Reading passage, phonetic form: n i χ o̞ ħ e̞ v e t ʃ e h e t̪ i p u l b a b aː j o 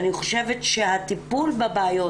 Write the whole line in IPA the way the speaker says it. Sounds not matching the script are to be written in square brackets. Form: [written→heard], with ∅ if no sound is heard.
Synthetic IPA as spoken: n i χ o̞ [ħ→ʃ] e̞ v e t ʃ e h [e→a] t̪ i p u l b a b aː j o